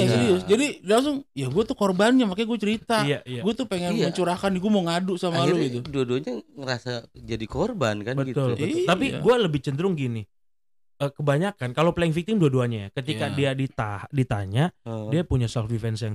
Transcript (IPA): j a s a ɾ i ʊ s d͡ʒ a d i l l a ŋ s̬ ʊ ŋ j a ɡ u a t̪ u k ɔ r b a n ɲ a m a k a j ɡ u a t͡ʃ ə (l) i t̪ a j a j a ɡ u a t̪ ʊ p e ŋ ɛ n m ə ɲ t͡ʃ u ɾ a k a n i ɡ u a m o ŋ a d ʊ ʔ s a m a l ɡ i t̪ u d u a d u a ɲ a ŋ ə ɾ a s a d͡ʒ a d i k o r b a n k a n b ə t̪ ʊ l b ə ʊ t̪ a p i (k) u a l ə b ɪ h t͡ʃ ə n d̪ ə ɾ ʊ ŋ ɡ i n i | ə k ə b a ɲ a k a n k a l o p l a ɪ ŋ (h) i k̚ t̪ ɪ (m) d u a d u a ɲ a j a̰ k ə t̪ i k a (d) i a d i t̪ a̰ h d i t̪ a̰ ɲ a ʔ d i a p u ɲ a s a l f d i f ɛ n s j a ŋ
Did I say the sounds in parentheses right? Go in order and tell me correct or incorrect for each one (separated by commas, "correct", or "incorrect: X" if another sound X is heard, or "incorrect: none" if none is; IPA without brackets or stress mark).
incorrect: ɾ, incorrect: ɡ, incorrect: f, correct, correct